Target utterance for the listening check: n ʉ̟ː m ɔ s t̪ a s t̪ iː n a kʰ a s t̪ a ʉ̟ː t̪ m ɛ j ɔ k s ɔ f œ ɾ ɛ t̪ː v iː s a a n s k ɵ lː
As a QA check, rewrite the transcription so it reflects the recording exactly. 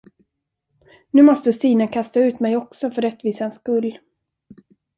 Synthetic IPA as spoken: n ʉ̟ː m ɔ s t̪ ə s t̪ iː n a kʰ a s t̪ a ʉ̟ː t̪ m ɛ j ɔ k s ɔ f œ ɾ ɛ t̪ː v iː s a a n s k ɵ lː

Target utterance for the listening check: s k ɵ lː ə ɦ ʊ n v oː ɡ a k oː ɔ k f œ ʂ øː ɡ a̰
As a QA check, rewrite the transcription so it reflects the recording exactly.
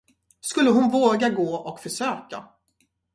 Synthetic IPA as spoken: s k ɵ lː ə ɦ ʊ n v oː ɡ a ɡ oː ɔ k f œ ʂ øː k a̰

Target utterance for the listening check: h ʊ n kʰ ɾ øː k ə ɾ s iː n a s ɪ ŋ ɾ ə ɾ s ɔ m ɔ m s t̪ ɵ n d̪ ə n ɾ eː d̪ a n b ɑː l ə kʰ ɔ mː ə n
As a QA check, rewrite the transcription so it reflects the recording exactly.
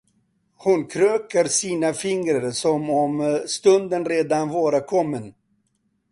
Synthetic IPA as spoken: h ʊ n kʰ ɾ øː k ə ɾ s iː n a f ɪ ŋ ɾ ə ɾ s ɔ m ɔ m s t̪ ɵ n d̪ ə n ɾ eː d̪ a n v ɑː ɾ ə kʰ ɔ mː ə n

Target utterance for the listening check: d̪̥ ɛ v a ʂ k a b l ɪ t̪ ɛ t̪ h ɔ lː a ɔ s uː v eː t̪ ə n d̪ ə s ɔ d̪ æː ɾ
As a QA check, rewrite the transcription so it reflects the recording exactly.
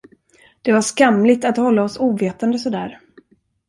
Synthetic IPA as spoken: d̪̥ ɛ v a ʂ k a m l ɪ t̪ a t̪ h ɔ lː a ɔ s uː v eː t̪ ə n d̪ ə s ɔ d̪ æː ɾ

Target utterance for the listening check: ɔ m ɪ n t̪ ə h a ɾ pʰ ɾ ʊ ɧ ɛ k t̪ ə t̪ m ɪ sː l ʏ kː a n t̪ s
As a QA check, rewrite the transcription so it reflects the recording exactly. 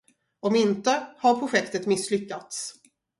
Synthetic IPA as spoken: ɔ m ɪ n t̪ ə h a ɾ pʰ ɾ ʊ ɧ ɛ k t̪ ə t̪ m ɪ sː l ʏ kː a t̪ s

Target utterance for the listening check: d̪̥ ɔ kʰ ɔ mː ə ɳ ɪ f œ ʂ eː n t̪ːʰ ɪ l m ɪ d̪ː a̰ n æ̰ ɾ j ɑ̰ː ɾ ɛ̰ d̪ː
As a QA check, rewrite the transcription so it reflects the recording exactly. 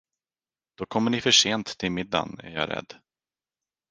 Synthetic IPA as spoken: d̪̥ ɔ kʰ ɔ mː ə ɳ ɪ f œ ʂ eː n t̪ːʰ ɪ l m ɪ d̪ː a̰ n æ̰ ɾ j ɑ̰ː ɾ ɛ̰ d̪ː

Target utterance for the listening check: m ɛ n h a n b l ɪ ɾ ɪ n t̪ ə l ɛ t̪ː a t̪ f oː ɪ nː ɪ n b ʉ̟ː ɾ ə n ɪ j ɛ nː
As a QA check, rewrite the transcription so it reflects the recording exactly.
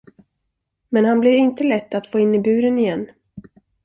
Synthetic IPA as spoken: m ɛ n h a n b l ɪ ɾ ɪ n t̪ ə l ɛ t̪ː a t̪ f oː ɪ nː ɪ b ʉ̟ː ɾ ə n ɪ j ɛ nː

